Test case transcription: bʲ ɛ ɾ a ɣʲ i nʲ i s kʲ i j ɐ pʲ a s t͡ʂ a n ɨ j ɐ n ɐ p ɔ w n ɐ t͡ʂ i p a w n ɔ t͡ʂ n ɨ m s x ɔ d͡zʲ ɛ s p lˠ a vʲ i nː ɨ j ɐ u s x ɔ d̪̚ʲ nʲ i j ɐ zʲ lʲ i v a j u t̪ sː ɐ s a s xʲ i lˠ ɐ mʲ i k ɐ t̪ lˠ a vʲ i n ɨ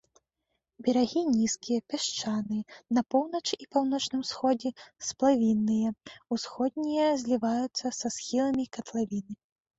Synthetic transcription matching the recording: bʲ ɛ ɾ a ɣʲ i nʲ i s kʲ i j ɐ pʲ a ʂ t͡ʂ a n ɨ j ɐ n ɐ p ɔ w n ɐ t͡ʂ i p a w n ɔ t͡ʂ n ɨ m s x ɔ d͡zʲ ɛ s p lˠ a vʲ i nː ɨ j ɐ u s x ɔ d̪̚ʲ nʲ i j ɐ zʲ lʲ i v a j u t̪ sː ɐ s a s xʲ i lˠ ɐ mʲ i k ɐ t̪ lˠ a vʲ i n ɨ

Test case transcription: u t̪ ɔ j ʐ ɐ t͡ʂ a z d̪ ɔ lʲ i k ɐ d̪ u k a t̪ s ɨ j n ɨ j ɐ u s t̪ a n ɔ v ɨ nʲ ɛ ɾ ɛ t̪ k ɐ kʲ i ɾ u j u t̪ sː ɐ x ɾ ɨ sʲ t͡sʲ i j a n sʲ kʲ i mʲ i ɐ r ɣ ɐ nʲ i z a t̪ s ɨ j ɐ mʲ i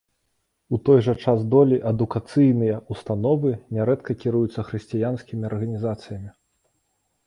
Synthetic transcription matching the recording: u t̪ ɔ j ʐ ɐ t͡ʂ a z d̪ ɔ lʲ i ʔ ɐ d̪ u k a t̪ s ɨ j n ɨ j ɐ u s t̪ a n ɔ v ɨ nʲ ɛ ɾ ɛ t̪ k ɐ kʲ i ɾ u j u t̪ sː ɐ x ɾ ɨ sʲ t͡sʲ i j a n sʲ kʲ i mʲ i ɐ r ɣ ɐ nʲ i z a t̪ s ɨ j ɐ mʲ i

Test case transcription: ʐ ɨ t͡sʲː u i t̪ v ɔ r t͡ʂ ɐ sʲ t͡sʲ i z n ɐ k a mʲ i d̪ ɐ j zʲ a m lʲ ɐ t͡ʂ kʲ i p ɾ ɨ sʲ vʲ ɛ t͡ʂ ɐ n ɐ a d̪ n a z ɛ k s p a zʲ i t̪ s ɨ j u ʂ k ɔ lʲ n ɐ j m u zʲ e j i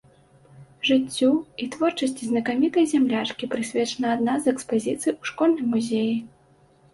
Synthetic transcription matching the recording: ʐ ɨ t͡sʲː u i t̪ v ɔ r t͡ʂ ɐ sʲ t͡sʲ i z n ɐ k a mʲ i t̪ ɐ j zʲ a m lʲ a t͡ʂ kʲ i p ɾ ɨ sʲ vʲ ɛ t͡ʂ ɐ n ɐ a d̪ n a z ɛ k s p a zʲ i t̪ s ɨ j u ʂ k ɔ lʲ n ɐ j m u zʲ e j i

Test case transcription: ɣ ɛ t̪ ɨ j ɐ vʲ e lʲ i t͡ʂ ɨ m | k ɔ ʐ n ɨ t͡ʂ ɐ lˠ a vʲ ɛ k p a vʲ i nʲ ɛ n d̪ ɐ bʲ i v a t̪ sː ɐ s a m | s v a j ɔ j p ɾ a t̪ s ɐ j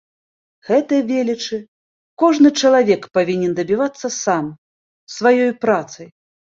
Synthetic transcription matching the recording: ɣ ɛ t̪ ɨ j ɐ vʲ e lʲ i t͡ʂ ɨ | k ɔ ʐ n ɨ t͡ʂ ɐ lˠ a vʲ ɛ k p a vʲ i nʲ ɛ n d̪ ɐ bʲ i v a t̪ sː ɐ s a m | s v a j ɔ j p ɾ a t̪ s ɐ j

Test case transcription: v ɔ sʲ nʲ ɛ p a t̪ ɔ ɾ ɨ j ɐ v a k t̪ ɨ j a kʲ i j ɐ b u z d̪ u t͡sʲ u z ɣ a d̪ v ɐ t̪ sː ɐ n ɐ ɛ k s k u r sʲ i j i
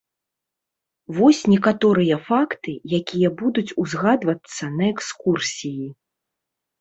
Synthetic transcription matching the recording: v ɔ sʲ nʲ ɛ k a t̪ ɔ ɾ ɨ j ɐ f a k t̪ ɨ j a kʲ i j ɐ b u d̪ u t͡sʲ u z ɣ a d̪ v ɐ t̪ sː ɐ n ɐ ɛ k s k u r sʲ i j i

